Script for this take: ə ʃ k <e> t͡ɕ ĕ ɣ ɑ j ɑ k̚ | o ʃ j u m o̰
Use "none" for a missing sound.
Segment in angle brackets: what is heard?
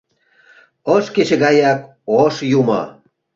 e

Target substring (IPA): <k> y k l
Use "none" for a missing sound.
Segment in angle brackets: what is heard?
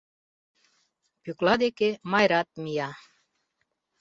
p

